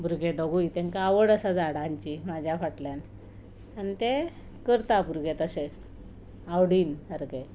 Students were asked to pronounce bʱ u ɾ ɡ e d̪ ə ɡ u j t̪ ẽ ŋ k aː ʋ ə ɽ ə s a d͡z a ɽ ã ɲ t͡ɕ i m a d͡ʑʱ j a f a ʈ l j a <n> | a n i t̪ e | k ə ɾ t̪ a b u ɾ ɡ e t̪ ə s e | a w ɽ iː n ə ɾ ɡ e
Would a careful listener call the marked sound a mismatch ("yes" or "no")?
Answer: no